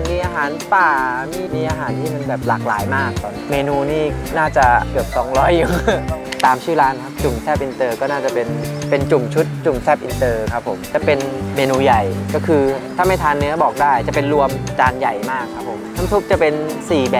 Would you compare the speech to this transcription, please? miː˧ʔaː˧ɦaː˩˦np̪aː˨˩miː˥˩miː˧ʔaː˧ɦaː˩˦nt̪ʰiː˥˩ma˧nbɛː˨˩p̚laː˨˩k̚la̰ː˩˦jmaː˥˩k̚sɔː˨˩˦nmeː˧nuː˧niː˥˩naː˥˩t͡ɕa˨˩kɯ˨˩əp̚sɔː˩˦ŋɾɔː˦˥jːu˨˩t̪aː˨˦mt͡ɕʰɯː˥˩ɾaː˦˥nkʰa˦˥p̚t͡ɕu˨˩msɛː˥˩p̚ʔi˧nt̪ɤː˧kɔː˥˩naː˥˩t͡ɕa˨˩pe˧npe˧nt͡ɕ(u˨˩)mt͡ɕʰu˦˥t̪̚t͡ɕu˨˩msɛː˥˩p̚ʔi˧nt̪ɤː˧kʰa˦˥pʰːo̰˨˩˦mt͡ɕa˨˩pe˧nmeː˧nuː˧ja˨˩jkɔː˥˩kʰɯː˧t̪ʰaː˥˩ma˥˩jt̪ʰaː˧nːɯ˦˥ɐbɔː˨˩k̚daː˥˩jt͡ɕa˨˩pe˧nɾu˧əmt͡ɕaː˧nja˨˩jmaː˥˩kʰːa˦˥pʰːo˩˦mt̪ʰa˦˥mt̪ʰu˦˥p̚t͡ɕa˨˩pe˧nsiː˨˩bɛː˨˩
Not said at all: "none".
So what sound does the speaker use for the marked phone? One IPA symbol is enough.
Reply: u˨˩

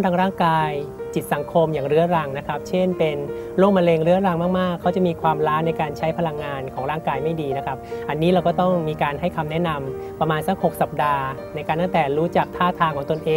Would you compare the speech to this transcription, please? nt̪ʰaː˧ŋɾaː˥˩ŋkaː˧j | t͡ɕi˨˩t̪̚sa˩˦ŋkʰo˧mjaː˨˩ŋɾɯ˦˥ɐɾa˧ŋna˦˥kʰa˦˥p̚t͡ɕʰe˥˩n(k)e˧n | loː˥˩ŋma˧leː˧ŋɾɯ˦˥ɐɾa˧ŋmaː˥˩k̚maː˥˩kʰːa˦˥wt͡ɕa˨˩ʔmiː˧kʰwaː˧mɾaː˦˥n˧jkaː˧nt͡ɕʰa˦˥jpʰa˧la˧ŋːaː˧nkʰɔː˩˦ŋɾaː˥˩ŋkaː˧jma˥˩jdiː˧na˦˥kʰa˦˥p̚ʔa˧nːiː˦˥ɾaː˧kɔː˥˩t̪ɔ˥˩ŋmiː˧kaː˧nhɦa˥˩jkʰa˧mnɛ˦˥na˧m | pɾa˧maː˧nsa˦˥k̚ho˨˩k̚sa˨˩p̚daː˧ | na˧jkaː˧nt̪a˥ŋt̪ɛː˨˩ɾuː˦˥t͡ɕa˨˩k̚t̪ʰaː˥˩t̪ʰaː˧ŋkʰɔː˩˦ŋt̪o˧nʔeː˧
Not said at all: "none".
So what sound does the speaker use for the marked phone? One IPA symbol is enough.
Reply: p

